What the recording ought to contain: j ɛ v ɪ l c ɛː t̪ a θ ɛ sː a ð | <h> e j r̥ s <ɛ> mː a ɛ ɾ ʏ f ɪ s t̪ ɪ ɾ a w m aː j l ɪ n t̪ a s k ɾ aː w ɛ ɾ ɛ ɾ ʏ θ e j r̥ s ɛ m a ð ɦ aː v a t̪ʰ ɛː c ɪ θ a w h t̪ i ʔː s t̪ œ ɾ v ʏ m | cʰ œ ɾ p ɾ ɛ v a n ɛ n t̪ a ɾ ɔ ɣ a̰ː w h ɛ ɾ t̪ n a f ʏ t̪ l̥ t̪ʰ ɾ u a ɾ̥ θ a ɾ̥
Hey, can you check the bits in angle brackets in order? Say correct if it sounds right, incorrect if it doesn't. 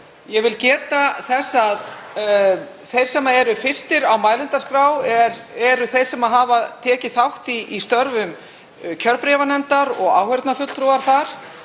incorrect, correct

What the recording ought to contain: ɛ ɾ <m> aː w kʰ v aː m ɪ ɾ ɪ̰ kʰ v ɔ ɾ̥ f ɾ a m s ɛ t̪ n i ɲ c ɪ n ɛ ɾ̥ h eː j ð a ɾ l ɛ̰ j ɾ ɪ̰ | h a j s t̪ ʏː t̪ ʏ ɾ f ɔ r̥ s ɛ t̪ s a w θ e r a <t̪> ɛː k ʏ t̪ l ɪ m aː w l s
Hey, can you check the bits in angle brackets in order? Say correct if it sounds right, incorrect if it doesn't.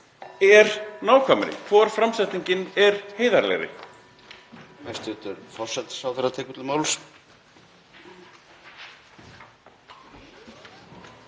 incorrect, incorrect

